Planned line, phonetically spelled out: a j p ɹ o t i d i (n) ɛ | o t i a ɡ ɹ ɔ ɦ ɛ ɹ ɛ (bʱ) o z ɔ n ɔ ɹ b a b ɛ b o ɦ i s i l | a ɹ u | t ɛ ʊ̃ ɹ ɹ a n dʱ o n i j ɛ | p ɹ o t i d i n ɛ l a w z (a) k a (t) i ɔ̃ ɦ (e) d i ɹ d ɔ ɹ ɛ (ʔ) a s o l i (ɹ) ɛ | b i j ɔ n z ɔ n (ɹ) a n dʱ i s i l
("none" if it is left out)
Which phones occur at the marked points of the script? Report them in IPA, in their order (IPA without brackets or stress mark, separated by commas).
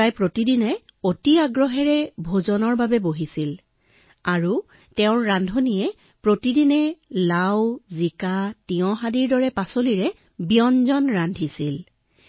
n, bʱ, i, t, a, p, ɹ, ɹ